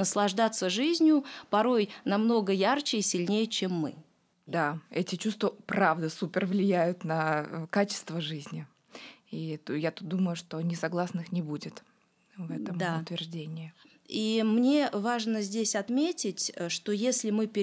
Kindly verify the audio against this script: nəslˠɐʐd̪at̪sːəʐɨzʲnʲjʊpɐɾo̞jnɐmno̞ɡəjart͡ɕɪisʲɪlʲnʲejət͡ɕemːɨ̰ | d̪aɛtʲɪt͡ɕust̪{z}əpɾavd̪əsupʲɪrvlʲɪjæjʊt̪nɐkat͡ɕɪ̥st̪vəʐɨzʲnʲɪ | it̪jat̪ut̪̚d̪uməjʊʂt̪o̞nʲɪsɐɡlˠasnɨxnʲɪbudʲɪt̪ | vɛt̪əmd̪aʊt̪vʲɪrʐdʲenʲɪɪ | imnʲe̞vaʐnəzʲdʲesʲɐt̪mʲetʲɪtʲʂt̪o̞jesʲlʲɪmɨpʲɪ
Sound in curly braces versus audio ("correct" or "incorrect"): incorrect